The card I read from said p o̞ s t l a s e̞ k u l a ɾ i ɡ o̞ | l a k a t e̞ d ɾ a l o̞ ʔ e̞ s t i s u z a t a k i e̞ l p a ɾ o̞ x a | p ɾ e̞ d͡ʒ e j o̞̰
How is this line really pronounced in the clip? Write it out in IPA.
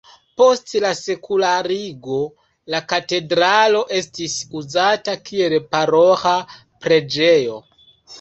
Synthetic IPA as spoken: p o̞ s t l a s e̞ k u l a ɾ i ɡ o̞ | l a k a t e̞ d ɾ a l o̞ ʔ e̞ s t i s u z a t a k i e̞ l p a ɾ o̞ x a | p ɾ e̞ d͡ʒ e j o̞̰

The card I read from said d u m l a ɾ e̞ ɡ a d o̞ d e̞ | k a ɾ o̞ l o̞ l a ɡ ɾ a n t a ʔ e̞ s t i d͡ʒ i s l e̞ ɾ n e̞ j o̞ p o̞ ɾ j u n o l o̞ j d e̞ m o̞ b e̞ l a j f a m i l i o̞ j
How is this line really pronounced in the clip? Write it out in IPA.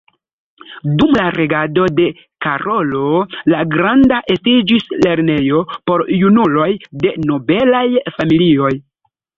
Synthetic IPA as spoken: d u m l a ɾ e̞ ɡ a d o̞ d e̞ | k a ɾ o̞ l o̞ l a ɡ ɾ a n d a ʔ e̞ s t i d͡ʒ i s l e̞ ɾ n e̞ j o̞ p o̞ ɾ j u n u l o̞ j d e̞ n o̞ b e̞ l a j f a m i l i o̞ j

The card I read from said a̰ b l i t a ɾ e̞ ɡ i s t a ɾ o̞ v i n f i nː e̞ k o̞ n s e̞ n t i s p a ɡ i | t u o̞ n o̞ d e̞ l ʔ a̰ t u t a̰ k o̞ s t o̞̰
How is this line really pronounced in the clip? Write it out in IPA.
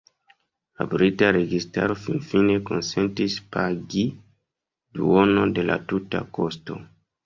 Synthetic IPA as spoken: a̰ b ɾ i t a ɾ e̞ ɡ i s t a ɾ o̞ f i n f i n e̞ k o̞ n s e̞ n t i s p a ɡ i | d u o̞ n o̞ d e̞ l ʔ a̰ t u t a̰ k o̞ s t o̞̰

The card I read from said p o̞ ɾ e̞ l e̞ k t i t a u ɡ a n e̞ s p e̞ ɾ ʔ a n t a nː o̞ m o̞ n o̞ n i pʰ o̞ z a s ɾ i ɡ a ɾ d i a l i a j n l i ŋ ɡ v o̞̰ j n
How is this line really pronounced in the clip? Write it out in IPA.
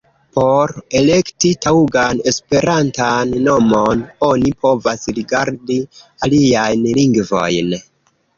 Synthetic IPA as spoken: p o̞ ɾ e̞ l e̞ k t i t a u ɡ a n e̞ s p e̞ ɾ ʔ a n t a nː o̞ m o̞ n o̞ n i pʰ o̞ v a s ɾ i ɡ a ɾ d i a l i a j n l i ŋ ɡ v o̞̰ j n

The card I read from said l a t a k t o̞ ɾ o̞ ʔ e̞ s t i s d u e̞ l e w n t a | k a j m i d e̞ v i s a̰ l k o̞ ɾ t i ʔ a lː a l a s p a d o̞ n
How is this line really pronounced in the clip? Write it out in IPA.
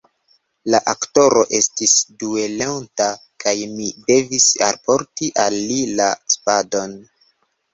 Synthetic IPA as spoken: l a ʔ a k t o̞ ɾ o̞ ʔ e̞ s t i s d u e̞ l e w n t a | k a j m i d e̞ v i s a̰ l p o̞ ɾ t i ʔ a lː i l a s p a d o̞ n

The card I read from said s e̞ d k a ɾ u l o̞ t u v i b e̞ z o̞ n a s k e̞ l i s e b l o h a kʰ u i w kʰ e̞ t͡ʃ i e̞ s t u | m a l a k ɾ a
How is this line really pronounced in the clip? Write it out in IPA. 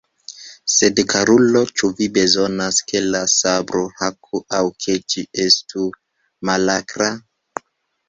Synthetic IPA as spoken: s e̞ d k a ɾ u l o̞ t͡ʃ u v i b e̞ z o̞ n a s k e̞ l a s a b ɾ o h a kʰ u a w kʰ e̞ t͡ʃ i e̞ s t u | m a l a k ɾ a

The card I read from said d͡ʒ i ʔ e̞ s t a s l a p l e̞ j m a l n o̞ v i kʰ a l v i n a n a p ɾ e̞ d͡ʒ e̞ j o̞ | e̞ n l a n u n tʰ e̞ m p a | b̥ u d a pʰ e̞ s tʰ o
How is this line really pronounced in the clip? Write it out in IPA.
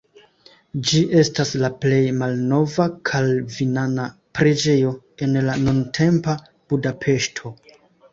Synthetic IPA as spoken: d͡ʒ i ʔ e̞ s t a s l a p l e̞ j m a l n o̞ v a kʰ a l v i n a n a p ɾ e̞ d͡ʒ e̞ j o̞ | e̞ n l a n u n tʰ e̞ m p a | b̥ u d a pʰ e̞ ʃ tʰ o

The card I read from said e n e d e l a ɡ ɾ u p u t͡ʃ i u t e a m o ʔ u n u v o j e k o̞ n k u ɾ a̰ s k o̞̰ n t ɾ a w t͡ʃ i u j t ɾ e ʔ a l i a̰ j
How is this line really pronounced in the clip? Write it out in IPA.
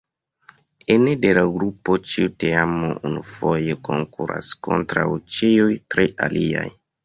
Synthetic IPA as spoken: e n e d e l a ɡ ɾ u p o t͡ʃ i u t e a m o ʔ u n u f o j e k o̞ ŋ k u ɾ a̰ s k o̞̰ n t ɾ a w t͡ʃ i u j t ɾ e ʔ a l i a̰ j

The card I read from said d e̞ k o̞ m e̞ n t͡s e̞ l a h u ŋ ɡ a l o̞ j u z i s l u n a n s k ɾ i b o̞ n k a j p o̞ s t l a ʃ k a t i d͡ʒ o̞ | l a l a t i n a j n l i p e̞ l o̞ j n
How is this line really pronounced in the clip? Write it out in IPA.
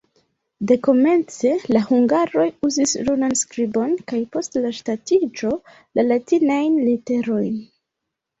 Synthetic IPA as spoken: d e̞ k o̞ m e̞ n t͡s e̞ l a h u ŋ ɡ a ɾ o̞ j u z i s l u n a n s k ɾ i b o̞ n k a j p o̞ s t l a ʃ t a t i d͡ʒ o̞ | l a l a t i n a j n l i t e̞ ɾ o̞ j n

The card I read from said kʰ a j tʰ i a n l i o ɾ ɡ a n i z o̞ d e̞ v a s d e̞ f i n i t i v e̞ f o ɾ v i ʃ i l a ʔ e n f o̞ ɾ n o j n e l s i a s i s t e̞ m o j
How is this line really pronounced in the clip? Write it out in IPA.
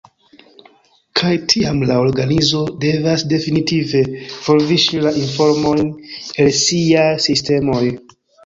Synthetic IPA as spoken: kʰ a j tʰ i a m l a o ɾ ɡ a n i z o̞ d e̞ v a s d e̞ f i n i t i v e̞ f o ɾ v i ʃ i l a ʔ i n f o̞ ɾ m o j n e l s i a s i s t e̞ m o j

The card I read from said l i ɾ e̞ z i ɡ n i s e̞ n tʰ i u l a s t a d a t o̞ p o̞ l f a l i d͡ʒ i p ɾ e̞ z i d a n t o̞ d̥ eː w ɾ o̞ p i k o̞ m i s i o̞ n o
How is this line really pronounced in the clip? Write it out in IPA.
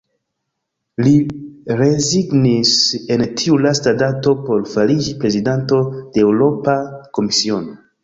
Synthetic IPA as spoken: l i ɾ e̞ z i ɡ n i s e̞ n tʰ i u l a s t a d a t o̞ p o̞ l f a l i d͡ʒ i p ɾ e̞ z i d a n t o̞ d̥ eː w ɾ o̞ p a k o̞ m i s i o̞ n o

